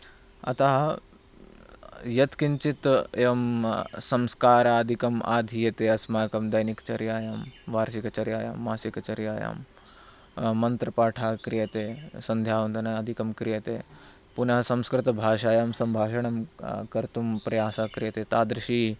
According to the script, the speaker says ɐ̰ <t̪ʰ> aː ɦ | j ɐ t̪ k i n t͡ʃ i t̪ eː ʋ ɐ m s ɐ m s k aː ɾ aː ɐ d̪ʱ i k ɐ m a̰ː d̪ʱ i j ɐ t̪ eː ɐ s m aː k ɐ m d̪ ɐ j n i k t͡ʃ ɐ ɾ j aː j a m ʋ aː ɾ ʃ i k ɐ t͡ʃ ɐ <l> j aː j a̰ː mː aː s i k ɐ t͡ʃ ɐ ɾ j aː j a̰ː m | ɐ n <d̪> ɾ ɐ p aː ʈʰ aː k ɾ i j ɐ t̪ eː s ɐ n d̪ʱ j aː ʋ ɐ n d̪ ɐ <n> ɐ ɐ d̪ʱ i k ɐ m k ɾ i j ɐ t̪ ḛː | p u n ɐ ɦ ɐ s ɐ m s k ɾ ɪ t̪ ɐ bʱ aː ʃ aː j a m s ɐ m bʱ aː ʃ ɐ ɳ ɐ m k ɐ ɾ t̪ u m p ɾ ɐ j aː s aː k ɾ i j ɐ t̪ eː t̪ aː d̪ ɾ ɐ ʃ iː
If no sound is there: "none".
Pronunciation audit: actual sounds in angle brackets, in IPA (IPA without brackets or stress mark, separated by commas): t̪, ɾ, t̪, n